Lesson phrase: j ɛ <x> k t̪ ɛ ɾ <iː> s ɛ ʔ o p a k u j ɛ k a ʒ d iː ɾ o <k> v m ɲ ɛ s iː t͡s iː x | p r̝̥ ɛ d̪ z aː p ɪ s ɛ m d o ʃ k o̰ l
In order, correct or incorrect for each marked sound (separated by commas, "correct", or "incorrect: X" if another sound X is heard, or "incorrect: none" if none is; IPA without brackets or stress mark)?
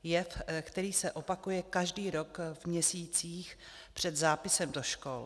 incorrect: f, correct, correct